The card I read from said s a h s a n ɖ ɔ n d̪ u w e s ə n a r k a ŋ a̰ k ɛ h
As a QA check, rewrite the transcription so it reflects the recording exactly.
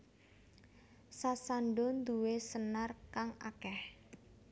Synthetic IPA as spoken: s a s a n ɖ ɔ n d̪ u w e s ə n a r k a ŋ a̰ k ɛ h